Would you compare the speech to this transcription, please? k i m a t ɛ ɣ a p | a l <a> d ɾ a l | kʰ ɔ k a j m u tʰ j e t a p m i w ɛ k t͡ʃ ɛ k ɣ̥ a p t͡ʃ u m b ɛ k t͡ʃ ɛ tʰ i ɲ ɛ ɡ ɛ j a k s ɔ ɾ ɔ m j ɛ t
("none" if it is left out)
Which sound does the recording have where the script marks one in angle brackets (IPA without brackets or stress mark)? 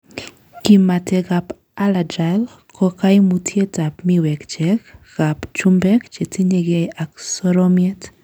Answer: a